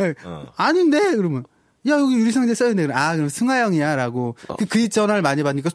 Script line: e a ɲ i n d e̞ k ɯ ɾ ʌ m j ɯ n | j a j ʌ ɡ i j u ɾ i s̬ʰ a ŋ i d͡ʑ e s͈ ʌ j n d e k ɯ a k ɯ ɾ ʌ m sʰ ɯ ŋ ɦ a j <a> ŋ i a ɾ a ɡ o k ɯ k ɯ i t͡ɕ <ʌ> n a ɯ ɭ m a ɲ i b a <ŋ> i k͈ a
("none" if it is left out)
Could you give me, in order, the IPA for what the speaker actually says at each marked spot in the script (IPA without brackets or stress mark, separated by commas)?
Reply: ʌ, ʌ, ɲ